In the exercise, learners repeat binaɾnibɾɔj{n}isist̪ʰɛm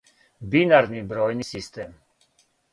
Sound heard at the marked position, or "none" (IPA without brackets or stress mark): n